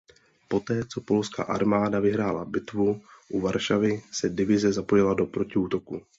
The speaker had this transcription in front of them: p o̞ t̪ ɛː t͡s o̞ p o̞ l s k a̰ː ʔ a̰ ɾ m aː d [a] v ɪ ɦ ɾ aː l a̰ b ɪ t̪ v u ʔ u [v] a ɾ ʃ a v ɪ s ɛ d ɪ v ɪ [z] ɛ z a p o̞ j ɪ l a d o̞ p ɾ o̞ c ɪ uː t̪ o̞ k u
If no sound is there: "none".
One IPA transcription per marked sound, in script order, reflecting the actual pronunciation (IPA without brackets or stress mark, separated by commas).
a, v, z